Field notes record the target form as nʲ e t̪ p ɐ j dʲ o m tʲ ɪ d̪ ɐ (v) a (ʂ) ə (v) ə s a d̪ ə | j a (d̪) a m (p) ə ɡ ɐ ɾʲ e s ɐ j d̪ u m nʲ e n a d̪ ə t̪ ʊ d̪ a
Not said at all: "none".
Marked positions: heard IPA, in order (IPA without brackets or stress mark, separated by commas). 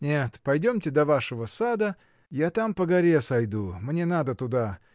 v, ʂ, v, t̪, p